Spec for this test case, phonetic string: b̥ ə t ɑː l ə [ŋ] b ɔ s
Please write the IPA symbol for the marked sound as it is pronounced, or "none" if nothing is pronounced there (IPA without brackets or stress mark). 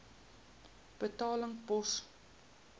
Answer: ŋ